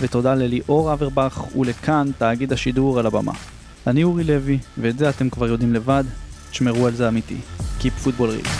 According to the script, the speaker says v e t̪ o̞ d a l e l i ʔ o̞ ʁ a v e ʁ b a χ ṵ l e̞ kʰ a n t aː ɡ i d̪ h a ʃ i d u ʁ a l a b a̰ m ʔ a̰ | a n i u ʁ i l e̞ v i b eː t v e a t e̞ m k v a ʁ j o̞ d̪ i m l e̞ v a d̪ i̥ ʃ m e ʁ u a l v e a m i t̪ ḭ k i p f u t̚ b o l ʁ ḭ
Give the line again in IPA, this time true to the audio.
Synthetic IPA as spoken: v e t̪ o̞ d a l e l i ʔ o̞ ʁ a v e ʁ b a χ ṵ l e̞ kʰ a n t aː ɡ i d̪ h a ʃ i d u ʁ a l a b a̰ m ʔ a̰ | a n i u ʁ i l e̞ v i v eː t z e a t e̞ m k v a ʁ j o̞ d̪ i m l e̞ v a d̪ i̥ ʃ m e ʁ u a l z e a m i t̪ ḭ k i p f u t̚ b o l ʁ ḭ